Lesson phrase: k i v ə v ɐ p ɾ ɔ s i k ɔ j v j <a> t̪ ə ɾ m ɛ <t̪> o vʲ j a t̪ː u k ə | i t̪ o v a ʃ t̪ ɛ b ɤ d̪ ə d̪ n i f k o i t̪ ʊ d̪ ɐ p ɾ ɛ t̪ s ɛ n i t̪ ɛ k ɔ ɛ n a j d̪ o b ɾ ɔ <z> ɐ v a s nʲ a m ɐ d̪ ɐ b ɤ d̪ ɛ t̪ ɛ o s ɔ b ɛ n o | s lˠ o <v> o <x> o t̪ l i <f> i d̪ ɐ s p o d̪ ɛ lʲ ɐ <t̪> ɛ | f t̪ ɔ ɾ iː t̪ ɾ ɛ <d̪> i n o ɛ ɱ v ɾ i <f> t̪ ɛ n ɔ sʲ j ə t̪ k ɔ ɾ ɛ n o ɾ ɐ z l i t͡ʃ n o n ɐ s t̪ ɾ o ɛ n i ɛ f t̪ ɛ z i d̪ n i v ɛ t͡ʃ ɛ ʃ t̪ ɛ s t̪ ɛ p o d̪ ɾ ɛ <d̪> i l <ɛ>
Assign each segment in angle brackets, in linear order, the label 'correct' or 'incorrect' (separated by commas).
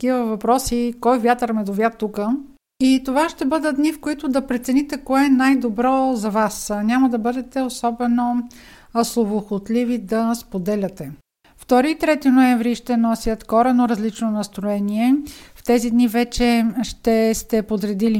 correct, incorrect, correct, correct, correct, incorrect, correct, incorrect, incorrect, correct, incorrect